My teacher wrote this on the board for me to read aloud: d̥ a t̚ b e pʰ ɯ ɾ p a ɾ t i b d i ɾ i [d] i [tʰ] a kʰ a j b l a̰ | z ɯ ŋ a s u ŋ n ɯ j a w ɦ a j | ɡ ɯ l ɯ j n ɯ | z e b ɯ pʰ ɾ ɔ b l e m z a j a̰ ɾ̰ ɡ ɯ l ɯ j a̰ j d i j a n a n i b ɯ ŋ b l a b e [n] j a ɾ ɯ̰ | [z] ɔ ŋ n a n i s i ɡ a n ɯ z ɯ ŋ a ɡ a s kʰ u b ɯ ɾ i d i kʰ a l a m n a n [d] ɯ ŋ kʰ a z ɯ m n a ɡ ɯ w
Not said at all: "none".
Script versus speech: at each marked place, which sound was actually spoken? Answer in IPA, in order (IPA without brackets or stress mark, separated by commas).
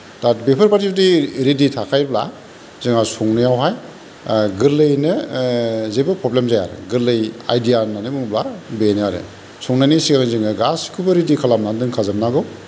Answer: d, tʰ, n, s, d